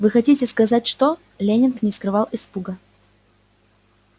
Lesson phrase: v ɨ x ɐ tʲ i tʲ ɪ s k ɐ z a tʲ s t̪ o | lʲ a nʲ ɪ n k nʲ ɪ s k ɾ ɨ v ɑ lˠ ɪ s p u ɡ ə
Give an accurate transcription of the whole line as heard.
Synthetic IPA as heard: v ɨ x ɐ tʲ i tʲ ɪ s k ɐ z a tʲ ʂ t̪ o | lʲ e nʲ ɪ n k nʲ ɪ s k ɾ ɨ v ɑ lˠ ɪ s p u ɡ ə